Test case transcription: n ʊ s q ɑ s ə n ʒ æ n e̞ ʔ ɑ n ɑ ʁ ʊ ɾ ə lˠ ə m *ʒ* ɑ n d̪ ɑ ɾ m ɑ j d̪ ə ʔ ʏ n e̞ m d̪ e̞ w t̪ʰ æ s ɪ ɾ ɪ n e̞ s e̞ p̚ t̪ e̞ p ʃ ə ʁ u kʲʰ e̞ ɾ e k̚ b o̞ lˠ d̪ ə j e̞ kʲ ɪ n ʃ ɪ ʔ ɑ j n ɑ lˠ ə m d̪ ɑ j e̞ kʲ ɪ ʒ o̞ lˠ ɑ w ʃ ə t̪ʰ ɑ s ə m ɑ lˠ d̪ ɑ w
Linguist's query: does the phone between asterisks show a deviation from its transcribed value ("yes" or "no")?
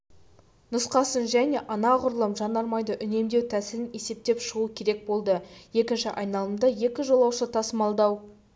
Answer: no